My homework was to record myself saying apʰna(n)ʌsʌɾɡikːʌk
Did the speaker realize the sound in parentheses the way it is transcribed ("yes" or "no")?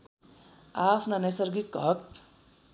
yes